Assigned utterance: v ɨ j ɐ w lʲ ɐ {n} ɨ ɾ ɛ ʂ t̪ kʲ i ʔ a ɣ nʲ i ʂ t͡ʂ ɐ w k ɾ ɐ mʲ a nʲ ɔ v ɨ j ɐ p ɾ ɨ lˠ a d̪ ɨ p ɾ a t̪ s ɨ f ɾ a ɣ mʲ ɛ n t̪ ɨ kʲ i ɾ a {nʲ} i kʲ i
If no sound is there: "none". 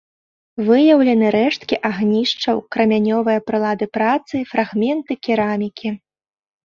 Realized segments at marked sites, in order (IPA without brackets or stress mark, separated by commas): n, mʲ